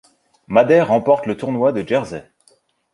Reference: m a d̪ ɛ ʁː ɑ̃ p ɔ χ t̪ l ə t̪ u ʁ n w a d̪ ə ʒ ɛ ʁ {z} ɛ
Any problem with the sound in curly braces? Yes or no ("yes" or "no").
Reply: no